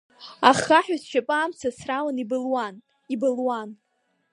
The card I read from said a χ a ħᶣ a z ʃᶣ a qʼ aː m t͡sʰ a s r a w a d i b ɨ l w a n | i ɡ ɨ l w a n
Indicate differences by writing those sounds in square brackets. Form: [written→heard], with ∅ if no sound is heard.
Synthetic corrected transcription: a χ a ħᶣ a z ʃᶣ a [qʼ→pʼ] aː m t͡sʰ a s r a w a [d→n] i b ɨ l w a n | i [ɡ→b] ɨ l w a n